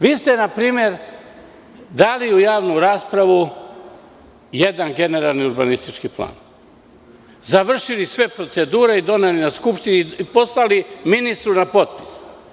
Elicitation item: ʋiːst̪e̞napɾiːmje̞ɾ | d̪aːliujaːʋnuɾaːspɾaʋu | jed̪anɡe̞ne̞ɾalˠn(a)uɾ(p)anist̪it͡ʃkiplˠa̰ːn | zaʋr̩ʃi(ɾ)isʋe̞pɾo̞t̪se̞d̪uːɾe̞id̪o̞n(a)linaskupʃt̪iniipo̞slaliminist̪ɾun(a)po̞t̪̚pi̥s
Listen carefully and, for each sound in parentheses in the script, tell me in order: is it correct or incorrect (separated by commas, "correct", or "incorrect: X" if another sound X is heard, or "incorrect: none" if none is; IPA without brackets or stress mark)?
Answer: incorrect: i, incorrect: b, incorrect: l, incorrect: e, correct